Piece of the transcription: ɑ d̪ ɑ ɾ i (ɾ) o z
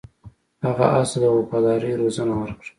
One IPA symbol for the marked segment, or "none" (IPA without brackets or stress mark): ɾ